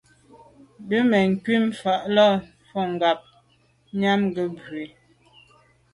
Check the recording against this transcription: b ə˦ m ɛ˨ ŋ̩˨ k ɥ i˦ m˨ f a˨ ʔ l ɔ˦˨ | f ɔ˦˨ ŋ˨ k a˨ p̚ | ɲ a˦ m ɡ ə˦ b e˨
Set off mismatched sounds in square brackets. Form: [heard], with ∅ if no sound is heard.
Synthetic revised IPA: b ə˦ m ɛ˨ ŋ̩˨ k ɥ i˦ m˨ f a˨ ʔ l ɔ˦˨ | f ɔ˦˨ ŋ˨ [ɡ] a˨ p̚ | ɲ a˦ m ɡ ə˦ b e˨